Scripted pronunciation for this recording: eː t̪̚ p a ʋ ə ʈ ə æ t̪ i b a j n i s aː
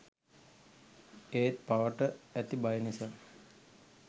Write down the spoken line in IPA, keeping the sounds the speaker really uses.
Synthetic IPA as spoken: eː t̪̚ p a ʋ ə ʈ ə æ t̪ i b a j n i s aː